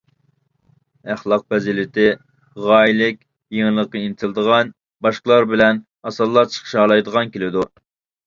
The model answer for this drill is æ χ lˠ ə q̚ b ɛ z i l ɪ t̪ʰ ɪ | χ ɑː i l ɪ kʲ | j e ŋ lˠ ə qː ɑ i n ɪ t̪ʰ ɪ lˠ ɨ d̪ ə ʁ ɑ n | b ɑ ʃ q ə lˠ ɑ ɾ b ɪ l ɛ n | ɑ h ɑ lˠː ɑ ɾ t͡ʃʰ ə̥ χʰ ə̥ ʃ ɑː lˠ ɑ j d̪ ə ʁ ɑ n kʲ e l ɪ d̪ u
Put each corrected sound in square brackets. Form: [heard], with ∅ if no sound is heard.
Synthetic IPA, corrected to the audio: æ χ lˠ [ɑ] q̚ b ɛ z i l ɪ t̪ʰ ɪ | [ʁ] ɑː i l ɪ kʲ | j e ŋ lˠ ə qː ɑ i n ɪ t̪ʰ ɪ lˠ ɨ d̪ ə ʁ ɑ n | b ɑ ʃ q ə lˠ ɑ ɾ b ɪ l ɛ n | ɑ [s] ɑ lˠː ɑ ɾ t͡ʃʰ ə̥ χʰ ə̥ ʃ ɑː lˠ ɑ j d̪ ə ʁ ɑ n kʲ e l ɪ d̪ u